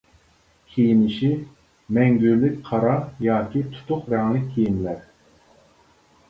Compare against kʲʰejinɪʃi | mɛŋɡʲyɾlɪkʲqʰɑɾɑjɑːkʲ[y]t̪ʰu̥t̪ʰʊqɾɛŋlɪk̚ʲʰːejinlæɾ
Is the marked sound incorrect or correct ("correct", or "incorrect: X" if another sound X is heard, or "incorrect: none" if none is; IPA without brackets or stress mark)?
incorrect: i